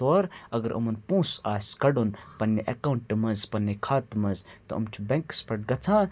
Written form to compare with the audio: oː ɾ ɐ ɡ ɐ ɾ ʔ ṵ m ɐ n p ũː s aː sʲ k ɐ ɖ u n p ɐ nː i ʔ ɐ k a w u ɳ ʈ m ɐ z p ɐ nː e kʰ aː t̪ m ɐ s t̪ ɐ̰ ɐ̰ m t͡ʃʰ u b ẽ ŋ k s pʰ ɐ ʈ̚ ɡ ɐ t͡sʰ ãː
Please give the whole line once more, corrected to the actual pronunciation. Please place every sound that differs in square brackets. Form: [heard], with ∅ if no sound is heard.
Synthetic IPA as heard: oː ɾ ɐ ɡ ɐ ɾ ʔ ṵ m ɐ n p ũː s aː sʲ k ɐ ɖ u n p ɐ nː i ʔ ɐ k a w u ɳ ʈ m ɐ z p ɐ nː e kʰ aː t̪ m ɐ [z] t̪ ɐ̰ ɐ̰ m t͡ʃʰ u b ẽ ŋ k s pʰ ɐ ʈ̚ ɡ ɐ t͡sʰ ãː